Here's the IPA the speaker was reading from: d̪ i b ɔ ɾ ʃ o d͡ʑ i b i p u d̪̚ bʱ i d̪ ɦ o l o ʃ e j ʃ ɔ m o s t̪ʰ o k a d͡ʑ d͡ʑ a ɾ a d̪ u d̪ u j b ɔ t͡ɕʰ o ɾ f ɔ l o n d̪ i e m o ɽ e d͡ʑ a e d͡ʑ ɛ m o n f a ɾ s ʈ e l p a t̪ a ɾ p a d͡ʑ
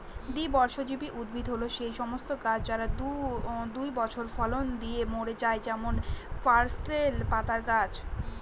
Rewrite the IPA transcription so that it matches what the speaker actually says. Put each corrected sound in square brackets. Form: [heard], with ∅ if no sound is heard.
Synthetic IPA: d̪ i b ɔ ɾ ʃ o d͡ʑ i b i [ʔ] u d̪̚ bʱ i d̪ ɦ o l o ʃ e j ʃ ɔ m o s [t̪] o k a d͡ʑ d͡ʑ a ɾ a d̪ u d̪ u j b ɔ t͡ɕʰ o ɾ f ɔ l o n d̪ i e m o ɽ e d͡ʑ a e d͡ʑ ɛ m o n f a ɾ s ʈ e l p a t̪ a ɾ [k] a d͡ʑ